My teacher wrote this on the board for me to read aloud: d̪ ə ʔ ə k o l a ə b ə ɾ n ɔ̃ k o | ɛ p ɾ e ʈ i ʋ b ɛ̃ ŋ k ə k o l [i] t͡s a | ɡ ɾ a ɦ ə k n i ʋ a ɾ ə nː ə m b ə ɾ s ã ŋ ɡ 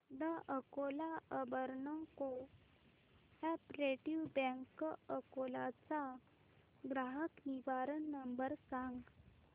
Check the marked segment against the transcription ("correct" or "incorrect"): incorrect